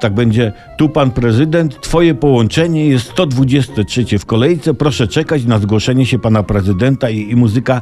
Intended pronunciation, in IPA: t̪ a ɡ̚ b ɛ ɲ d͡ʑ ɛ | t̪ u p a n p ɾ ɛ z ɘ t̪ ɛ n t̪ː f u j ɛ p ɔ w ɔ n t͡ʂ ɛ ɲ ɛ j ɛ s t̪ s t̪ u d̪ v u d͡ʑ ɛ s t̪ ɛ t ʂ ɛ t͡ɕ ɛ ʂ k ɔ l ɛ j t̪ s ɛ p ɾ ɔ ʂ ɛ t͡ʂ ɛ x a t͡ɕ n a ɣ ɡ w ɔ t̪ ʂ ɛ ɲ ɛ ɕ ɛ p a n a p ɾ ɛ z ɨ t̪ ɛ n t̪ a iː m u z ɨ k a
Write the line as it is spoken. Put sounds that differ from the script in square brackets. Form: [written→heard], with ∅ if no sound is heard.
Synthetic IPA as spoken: t̪ a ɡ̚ b ɛ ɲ d͡ʑ ɛ | t̪ u p a n p ɾ ɛ z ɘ [t̪→d̪] ɛ n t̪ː f [u→ɔ] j ɛ p ɔ w ɔ n t͡ʂ ɛ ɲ ɛ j ɛ s t̪ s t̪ [u→ɔ] d̪ v u d͡ʑ ɛ s t̪ ɛ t ʂ ɛ t͡ɕ ɛ [ʂ→f] k ɔ l ɛ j t̪ s ɛ p ɾ ɔ ʂ ɛ t͡ʂ ɛ [x→k] a t͡ɕ n a [ɣ→z] ɡ w ɔ [t̪→∅] ʂ ɛ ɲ ɛ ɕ ɛ p a n a p ɾ ɛ z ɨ [t̪→d̪] ɛ n t̪ a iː m u z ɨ k a